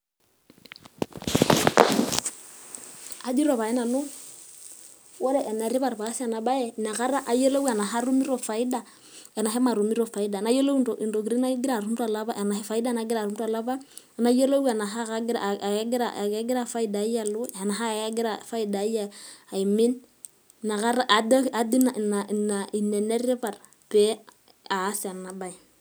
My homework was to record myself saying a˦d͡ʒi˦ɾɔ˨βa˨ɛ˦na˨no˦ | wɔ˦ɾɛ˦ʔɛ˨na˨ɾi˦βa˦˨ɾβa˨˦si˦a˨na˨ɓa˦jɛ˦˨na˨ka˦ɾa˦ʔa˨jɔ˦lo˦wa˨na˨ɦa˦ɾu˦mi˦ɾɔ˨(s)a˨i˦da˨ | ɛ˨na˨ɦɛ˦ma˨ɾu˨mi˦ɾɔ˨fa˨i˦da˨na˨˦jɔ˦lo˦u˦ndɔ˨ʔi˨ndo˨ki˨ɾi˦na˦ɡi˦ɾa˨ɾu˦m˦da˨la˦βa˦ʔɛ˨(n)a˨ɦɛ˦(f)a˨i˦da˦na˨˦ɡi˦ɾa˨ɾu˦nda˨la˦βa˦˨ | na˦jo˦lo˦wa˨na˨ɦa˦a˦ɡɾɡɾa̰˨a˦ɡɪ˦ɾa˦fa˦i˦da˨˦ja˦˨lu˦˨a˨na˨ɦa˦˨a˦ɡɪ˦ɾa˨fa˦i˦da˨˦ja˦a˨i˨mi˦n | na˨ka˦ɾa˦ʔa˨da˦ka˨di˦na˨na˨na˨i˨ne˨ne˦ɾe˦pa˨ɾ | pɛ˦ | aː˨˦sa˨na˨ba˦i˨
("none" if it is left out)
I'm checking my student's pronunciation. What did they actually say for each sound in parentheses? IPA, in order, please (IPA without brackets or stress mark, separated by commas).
f, n, f